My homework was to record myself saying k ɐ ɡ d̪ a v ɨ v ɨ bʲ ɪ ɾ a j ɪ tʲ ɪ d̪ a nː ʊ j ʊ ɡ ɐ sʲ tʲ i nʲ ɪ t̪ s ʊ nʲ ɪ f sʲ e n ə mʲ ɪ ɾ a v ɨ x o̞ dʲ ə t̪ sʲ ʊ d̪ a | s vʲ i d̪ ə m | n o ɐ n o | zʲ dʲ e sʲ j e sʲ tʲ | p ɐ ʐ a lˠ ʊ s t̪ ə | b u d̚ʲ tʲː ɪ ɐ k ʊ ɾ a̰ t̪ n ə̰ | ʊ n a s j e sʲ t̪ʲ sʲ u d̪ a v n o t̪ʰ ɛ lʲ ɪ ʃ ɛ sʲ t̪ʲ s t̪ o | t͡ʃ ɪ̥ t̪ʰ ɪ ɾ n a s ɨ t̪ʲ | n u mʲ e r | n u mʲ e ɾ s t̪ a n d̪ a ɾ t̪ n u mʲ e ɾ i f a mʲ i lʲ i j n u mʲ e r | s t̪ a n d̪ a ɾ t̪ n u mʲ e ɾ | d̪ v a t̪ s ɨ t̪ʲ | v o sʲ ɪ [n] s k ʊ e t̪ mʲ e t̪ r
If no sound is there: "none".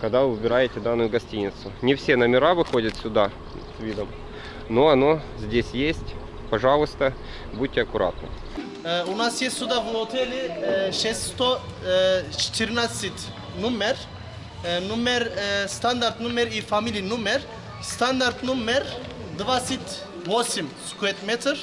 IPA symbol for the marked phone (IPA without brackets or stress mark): m